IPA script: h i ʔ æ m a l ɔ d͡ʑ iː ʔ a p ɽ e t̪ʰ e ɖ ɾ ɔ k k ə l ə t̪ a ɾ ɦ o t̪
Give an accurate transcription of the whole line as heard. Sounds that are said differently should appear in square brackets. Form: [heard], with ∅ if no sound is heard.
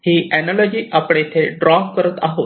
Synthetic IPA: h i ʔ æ [n] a l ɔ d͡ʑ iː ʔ a p ɽ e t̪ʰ e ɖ ɾ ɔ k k ə [ɾ] ə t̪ a [∅] ɦ o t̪